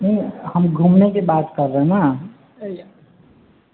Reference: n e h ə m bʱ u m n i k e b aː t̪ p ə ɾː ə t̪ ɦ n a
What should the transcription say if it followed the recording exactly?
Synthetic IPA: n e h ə m ɡʱ u m n e k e b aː t̪ k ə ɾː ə ɦ n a